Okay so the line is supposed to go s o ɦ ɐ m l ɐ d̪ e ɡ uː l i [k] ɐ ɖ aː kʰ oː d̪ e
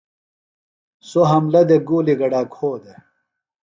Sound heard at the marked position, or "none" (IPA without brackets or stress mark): ɡ